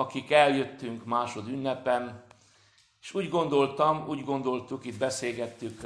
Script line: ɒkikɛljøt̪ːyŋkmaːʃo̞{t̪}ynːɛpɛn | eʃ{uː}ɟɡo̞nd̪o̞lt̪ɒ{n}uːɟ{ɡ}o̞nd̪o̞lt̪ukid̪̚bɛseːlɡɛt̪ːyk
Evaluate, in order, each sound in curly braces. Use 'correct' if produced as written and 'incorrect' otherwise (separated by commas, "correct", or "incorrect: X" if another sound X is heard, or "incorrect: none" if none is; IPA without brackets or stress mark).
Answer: incorrect: d̪, correct, incorrect: m, correct